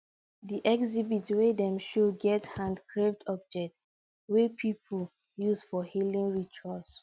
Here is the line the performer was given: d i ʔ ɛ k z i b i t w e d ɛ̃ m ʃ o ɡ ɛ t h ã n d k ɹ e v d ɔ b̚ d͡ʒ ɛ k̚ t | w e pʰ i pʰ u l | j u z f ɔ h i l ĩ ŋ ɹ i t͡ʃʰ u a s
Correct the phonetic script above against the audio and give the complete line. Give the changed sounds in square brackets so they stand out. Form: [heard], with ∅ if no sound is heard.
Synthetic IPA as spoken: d i ʔ ɛ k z i b i t w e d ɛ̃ m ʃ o ɡ ɛ t h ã n d k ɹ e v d ɔ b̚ d͡ʒ ɛ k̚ t | w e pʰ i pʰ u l | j u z f ɔ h i l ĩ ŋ ɹ i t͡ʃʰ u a s